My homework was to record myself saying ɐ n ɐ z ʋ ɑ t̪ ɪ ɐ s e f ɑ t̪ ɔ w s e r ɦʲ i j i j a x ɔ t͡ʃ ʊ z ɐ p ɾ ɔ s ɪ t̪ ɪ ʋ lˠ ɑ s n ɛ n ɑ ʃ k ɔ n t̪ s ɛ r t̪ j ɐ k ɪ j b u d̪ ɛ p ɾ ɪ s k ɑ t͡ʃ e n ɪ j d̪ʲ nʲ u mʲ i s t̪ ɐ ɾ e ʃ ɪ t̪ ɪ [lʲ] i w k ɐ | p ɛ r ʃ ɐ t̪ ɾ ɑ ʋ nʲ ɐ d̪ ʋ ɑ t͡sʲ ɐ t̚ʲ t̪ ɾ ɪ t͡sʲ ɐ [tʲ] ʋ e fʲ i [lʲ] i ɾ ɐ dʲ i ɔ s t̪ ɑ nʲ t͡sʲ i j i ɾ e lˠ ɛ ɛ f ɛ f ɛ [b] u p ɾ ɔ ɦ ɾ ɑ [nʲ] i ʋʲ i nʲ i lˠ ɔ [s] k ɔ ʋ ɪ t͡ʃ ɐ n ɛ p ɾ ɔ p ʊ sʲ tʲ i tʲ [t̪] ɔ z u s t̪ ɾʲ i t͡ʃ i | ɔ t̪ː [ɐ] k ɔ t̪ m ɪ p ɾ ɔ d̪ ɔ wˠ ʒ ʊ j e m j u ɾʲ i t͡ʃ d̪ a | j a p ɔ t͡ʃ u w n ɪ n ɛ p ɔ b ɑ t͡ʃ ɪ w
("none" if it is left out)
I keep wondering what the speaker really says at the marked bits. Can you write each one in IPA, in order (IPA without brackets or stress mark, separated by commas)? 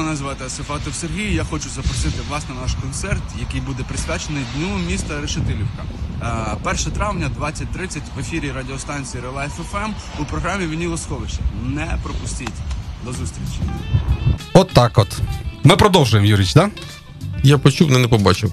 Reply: lʲ, tʲ, ɾʲ, m, mʲ, s, d̪, ɑ